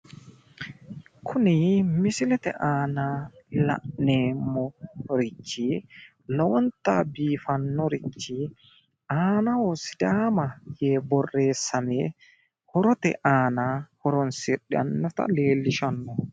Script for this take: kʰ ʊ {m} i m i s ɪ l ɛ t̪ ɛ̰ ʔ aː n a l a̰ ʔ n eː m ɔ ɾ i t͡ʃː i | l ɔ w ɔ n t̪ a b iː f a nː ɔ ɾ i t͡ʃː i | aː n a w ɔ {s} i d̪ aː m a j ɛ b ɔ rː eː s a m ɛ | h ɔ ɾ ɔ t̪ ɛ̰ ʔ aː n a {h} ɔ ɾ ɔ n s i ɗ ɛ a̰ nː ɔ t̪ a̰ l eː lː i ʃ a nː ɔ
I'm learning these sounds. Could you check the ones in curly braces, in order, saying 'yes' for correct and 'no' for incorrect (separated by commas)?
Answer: no, yes, yes